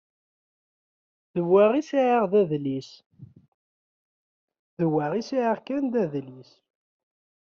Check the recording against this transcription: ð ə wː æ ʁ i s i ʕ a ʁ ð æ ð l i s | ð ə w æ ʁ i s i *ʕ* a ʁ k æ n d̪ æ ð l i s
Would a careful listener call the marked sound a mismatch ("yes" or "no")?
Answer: no